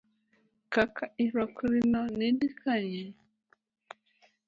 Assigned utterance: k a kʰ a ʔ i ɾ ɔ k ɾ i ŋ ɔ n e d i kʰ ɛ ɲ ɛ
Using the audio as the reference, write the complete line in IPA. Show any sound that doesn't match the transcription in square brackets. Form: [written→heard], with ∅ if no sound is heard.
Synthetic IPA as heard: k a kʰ a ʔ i ɾ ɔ k ɾ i [ŋ→n] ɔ n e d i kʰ [ɛ→a] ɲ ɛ